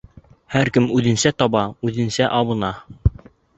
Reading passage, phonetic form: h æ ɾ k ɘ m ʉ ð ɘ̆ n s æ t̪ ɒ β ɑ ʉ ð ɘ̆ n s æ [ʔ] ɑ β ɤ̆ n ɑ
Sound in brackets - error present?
no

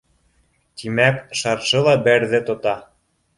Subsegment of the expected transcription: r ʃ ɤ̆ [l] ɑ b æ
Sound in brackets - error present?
no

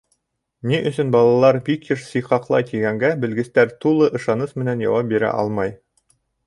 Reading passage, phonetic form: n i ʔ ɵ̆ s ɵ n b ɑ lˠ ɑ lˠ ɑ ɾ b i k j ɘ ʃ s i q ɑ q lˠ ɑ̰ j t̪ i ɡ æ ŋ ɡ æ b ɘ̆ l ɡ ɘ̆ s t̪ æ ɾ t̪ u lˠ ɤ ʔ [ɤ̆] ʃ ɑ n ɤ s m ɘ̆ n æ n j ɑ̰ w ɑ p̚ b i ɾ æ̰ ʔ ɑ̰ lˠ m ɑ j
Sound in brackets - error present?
no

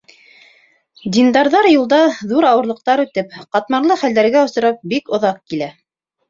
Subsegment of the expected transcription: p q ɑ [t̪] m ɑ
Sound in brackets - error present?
no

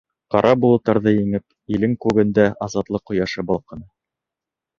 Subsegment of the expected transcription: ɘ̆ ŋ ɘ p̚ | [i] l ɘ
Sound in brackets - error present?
no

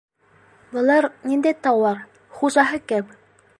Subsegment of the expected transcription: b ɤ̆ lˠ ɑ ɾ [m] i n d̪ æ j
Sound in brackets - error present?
yes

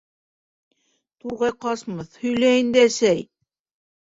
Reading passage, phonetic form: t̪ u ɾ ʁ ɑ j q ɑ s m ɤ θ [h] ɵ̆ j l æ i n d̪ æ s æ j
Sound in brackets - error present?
no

